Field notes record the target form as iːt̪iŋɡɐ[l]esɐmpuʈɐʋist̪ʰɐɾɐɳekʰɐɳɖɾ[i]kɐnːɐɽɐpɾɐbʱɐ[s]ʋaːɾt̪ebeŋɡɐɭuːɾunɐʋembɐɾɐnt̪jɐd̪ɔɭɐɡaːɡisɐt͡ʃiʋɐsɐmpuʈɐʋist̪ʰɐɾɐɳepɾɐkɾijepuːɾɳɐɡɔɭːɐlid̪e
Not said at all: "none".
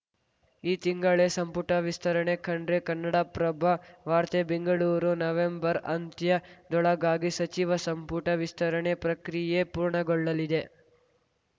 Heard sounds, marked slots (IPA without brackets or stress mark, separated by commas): ɭ, e, none